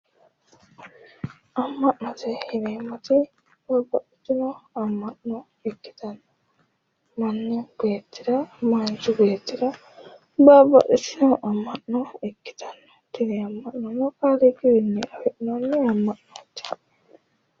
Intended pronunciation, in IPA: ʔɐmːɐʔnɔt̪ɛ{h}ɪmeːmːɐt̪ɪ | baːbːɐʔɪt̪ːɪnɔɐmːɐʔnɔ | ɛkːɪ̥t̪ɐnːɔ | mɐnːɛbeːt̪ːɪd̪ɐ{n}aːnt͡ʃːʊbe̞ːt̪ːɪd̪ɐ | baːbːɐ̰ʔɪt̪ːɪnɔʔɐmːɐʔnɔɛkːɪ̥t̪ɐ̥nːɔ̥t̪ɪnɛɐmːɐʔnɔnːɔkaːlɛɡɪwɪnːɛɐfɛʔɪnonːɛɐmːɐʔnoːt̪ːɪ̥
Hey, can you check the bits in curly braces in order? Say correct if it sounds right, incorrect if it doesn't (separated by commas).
correct, incorrect